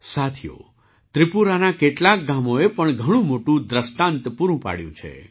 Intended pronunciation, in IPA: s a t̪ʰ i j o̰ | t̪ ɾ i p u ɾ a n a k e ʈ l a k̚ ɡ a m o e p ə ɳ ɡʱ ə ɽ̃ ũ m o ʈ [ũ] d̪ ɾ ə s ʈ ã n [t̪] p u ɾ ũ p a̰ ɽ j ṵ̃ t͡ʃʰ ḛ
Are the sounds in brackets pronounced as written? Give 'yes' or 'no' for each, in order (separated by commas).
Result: yes, yes